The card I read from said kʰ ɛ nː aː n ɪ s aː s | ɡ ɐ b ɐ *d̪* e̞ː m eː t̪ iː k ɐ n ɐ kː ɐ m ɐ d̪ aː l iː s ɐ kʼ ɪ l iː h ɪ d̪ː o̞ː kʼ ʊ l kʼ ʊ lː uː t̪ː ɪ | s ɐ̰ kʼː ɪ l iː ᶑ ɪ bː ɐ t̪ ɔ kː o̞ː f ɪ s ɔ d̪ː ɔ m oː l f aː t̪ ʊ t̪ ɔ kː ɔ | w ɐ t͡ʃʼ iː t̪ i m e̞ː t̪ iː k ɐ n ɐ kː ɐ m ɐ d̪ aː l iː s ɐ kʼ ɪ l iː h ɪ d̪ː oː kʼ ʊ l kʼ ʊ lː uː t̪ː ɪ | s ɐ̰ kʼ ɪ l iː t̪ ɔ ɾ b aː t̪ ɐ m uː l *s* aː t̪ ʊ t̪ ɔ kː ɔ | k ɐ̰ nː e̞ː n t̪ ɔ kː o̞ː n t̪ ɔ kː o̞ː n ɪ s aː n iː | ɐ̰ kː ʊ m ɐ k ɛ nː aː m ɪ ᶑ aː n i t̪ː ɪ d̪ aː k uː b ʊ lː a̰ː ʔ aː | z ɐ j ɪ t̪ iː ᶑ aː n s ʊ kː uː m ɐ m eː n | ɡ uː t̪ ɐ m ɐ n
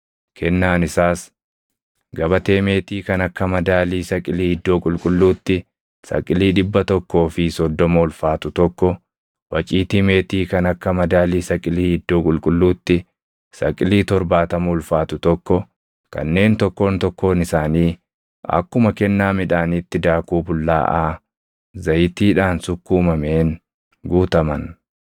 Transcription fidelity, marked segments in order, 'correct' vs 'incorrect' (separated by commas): incorrect, incorrect